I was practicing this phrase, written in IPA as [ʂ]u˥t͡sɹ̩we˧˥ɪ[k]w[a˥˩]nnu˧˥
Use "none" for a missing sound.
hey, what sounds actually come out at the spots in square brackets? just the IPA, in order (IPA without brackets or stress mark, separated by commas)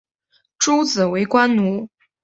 ʈ͡ʂ, k, a˥